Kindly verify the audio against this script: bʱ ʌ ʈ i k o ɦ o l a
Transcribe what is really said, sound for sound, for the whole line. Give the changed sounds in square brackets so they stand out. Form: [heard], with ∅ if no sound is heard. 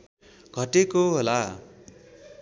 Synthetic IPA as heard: [ɡʱ] ʌ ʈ [e] k o ɦ o l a